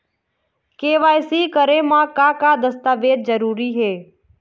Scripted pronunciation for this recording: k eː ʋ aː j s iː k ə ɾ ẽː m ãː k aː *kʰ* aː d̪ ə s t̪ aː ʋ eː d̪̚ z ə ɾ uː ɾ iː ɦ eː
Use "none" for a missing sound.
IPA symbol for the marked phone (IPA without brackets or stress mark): k